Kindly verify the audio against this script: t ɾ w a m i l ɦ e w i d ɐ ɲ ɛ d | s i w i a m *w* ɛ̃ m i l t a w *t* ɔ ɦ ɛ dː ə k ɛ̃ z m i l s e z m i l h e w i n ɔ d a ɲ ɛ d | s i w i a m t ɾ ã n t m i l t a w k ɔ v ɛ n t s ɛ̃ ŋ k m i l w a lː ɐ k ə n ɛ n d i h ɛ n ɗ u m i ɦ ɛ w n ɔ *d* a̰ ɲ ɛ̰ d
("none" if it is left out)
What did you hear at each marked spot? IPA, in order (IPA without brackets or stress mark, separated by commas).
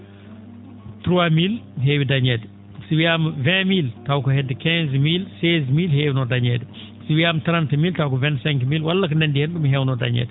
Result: v, k, d